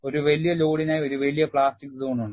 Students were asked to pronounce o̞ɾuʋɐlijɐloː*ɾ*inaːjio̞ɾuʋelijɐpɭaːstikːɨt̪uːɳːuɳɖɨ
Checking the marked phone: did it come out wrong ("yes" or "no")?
yes